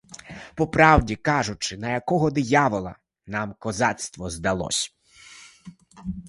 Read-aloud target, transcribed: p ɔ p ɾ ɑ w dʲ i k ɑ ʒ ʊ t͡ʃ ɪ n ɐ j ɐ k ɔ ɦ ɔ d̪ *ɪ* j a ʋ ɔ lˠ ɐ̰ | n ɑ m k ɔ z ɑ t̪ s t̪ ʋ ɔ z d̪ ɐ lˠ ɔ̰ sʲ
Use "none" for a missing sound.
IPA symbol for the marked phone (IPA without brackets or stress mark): ɪ